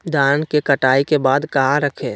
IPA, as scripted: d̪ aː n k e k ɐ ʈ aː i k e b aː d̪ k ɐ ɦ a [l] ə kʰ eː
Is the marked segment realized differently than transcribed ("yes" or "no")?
yes